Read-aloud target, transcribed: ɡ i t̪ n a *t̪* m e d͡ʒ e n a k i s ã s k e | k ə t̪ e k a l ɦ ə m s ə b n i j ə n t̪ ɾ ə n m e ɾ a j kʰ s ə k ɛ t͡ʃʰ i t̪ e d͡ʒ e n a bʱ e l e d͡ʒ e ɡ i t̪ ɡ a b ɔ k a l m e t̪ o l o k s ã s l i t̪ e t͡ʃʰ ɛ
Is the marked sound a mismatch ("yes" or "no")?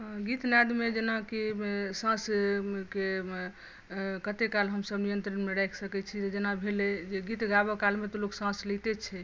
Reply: yes